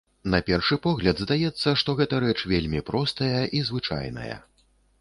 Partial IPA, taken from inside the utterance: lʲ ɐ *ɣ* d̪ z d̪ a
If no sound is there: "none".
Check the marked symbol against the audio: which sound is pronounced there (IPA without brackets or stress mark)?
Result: none